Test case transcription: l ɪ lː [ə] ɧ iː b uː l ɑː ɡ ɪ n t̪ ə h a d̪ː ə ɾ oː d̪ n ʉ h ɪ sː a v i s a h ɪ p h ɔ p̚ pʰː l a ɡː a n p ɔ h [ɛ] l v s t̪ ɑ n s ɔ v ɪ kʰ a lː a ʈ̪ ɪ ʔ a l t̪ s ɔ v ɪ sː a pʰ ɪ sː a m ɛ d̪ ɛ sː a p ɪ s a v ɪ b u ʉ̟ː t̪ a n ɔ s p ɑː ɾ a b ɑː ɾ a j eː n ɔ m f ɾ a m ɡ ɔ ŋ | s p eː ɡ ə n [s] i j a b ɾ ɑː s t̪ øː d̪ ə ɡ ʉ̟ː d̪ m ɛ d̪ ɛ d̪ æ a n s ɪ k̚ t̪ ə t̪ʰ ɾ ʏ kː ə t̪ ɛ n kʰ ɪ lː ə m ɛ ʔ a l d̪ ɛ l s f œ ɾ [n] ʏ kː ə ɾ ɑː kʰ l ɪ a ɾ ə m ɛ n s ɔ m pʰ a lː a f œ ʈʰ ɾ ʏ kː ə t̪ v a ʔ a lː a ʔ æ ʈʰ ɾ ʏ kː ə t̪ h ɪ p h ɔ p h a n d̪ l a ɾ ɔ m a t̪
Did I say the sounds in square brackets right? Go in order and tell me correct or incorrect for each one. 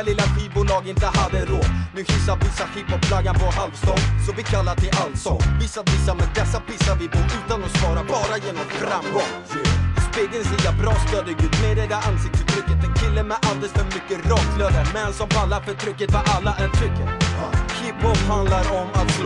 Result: incorrect, incorrect, correct, incorrect

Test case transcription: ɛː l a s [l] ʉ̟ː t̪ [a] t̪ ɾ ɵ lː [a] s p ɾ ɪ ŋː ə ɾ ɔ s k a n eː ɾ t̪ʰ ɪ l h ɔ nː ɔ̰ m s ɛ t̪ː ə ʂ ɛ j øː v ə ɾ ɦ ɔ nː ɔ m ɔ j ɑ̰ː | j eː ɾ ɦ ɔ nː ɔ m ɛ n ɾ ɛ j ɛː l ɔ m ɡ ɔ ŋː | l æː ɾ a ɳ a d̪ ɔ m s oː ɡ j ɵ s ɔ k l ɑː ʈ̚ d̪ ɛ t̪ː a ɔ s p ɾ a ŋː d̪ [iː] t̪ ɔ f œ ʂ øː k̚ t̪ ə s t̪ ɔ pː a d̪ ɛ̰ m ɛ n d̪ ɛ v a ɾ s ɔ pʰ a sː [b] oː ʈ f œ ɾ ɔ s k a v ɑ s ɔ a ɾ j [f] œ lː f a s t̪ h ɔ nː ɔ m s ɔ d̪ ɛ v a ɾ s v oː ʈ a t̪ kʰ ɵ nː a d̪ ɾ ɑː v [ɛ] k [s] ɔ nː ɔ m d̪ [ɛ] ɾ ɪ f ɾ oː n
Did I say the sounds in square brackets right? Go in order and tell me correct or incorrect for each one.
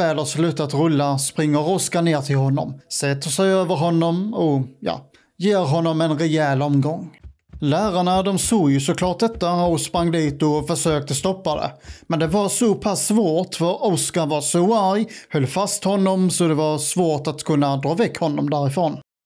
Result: correct, correct, correct, correct, incorrect, incorrect, correct, incorrect, incorrect

